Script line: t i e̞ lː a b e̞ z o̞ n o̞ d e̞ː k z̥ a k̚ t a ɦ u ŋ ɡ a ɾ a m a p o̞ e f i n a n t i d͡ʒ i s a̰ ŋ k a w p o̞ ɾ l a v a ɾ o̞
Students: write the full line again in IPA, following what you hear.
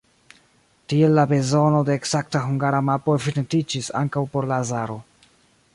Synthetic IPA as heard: t i e̞ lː a b e̞ z o̞ n o̞ d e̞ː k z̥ a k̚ t a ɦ u ŋ ɡ a ɾ a m a p o̞ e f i n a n t i d͡ʒ i s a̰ ŋ k a w p o̞ ɾ l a z a ɾ o̞